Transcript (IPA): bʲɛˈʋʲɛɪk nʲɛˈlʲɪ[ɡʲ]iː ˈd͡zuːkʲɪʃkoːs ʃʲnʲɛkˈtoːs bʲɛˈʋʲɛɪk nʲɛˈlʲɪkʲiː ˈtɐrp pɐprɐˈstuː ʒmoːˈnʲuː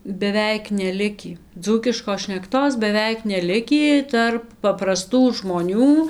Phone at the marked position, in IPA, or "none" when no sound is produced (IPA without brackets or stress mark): kʲ